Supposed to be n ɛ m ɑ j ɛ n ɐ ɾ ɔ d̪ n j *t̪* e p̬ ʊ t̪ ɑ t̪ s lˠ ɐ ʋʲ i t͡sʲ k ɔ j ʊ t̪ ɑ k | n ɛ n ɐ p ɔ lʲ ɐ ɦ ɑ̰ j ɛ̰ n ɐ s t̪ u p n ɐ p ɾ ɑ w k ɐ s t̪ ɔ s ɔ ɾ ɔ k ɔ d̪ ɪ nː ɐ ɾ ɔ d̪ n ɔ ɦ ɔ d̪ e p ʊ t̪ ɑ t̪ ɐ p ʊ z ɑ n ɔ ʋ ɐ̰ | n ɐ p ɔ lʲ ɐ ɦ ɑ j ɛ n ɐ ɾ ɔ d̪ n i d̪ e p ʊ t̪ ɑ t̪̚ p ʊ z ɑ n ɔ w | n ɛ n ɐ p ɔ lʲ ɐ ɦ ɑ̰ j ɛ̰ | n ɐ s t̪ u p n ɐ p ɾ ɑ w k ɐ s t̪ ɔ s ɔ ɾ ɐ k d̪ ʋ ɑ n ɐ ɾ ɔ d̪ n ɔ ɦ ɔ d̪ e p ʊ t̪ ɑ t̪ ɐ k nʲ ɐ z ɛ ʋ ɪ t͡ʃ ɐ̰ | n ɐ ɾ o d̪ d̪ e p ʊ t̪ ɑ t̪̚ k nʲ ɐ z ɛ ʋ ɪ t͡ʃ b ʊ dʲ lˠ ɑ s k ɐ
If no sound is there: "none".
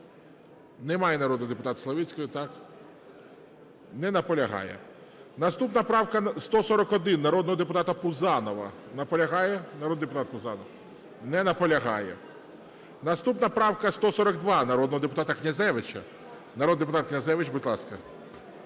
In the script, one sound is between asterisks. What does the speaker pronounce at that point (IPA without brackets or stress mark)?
d̪